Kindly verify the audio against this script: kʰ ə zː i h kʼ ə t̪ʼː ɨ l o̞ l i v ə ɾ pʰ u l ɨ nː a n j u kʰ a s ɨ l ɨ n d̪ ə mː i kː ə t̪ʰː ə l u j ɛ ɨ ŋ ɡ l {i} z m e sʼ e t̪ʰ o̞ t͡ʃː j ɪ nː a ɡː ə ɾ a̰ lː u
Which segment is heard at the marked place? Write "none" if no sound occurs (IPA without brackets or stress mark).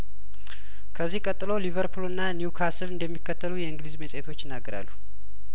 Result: i